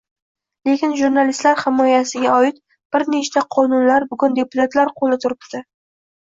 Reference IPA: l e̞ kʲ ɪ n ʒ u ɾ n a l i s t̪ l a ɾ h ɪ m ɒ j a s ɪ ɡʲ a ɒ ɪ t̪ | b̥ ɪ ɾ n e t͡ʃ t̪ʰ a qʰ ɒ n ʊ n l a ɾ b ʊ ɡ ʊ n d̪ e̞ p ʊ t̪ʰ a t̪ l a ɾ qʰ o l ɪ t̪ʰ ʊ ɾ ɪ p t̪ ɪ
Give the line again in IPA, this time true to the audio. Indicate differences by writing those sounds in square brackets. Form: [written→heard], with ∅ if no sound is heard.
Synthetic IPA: l e̞ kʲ ɪ n ʒ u ɾ n a l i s t̪ l a ɾ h ɪ m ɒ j a s ɪ ɡʲ a ɒ ɪ t̪ | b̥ ɪ ɾ n e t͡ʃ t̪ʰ a qʰ ɒ n ʊ n l a ɾ b ʊ ɡ ʊ n d̪ e̞ p ʊ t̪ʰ a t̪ l a ɾ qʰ o l ɪ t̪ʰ ʊ ɾ ɪ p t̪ ɪ

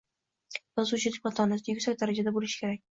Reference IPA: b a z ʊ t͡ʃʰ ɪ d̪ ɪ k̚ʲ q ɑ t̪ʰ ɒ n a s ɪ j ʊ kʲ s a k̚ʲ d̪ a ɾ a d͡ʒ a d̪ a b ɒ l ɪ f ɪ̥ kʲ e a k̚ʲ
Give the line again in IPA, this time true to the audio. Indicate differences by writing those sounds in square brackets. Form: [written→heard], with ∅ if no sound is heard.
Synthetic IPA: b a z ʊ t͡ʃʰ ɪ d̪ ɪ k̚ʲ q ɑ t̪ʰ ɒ n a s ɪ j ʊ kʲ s a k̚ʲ d̪ a ɾ a d͡ʒ a d̪ a b [ɒ→o] l ɪ [f→ʃ] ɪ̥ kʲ e a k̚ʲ

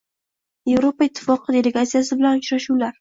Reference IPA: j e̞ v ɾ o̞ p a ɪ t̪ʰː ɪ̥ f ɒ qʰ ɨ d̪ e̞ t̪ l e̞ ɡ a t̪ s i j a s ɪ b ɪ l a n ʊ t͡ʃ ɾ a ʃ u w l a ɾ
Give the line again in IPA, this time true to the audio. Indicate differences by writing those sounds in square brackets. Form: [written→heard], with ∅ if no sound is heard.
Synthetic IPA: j e̞ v ɾ o̞ p a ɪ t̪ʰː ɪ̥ f ɒ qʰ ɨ d̪ e̞ [t̪→∅] l e̞ ɡ a t̪ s i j a s ɪ b ɪ l a n ʊ t͡ʃ ɾ a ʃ u w l a ɾ

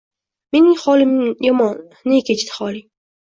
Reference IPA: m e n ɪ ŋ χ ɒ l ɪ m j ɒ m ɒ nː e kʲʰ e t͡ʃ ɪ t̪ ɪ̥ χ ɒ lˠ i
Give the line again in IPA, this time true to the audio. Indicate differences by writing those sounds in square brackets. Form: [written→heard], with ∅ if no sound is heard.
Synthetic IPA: m e n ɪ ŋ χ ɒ l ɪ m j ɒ m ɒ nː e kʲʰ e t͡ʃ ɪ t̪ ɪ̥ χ ɒ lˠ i

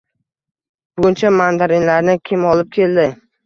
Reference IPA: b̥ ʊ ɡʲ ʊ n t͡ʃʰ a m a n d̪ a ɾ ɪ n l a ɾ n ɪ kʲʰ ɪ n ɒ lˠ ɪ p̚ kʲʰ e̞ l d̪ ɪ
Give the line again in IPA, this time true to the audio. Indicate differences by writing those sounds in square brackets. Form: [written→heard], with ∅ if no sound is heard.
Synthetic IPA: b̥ ʊ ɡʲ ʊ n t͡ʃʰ a m a n d̪ a ɾ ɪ n l a ɾ n ɪ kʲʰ ɪ [n→m] ɒ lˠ ɪ p̚ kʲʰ e̞ l d̪ ɪ

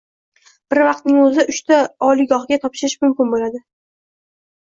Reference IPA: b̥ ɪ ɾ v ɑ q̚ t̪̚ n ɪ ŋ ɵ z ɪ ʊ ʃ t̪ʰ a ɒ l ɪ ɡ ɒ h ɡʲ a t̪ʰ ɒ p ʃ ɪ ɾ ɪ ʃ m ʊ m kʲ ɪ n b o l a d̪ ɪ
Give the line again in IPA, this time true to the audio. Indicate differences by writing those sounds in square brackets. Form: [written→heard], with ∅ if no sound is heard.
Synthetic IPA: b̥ ɪ ɾ v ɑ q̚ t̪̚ n ɪ ŋ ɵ z ɪ ʊ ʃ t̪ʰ a ɒ l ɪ ɡ ɒ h ɡʲ a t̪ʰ ɒ p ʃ ɪ ɾ ɪ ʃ m ʊ m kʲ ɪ n b o l a d̪ ɪ

